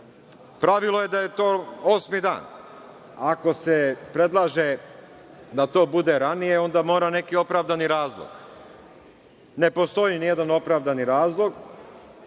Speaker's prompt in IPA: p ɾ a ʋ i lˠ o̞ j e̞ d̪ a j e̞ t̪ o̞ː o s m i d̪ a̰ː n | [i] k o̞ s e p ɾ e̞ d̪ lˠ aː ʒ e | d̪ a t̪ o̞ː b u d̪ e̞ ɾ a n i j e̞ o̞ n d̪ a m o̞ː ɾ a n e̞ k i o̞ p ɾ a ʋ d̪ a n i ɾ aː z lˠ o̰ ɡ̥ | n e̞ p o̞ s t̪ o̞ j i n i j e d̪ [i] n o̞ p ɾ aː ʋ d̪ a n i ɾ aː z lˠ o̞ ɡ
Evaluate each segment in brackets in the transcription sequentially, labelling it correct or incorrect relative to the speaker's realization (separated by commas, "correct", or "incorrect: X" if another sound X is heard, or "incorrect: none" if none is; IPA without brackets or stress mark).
incorrect: a, incorrect: a